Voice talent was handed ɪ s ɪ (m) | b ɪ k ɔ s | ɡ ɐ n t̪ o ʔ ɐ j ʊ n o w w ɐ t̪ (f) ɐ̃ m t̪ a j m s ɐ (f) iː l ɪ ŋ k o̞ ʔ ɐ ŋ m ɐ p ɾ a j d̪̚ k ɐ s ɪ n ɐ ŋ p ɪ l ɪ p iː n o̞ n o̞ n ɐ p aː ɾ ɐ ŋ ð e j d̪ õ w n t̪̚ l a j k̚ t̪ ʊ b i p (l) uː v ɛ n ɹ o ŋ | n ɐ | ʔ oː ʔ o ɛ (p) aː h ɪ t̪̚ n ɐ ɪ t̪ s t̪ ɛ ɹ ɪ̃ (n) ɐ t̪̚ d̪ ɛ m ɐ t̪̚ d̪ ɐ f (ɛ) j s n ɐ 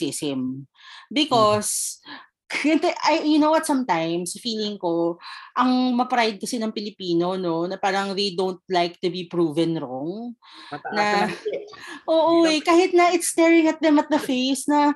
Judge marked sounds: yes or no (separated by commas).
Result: yes, no, yes, no, no, no, no